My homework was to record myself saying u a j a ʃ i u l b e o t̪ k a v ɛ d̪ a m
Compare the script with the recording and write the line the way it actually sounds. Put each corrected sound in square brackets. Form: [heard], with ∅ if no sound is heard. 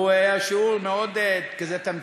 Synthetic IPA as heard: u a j a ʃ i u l [m] e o [d̪] k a [z] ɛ [t̪] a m